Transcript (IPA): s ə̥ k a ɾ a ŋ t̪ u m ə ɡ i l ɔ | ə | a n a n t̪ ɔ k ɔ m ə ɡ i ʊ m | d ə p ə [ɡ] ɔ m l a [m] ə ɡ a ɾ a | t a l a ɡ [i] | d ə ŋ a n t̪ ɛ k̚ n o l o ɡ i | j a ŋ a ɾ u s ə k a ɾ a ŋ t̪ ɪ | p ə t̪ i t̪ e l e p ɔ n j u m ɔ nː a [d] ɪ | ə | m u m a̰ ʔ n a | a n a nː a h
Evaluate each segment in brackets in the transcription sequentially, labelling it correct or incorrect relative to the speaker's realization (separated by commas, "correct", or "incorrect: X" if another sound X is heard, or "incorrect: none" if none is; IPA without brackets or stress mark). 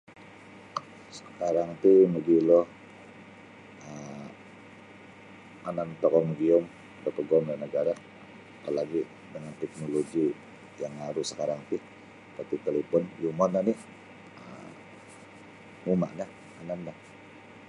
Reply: correct, incorrect: n, correct, incorrect: n